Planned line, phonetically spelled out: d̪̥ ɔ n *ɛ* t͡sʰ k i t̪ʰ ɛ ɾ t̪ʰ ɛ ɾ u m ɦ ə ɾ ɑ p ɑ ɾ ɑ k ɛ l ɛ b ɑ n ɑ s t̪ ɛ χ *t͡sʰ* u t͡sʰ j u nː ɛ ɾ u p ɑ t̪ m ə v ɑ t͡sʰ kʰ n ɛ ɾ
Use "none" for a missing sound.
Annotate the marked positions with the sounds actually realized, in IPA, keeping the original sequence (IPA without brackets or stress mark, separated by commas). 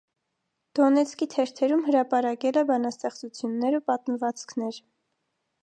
ɛ, t͡s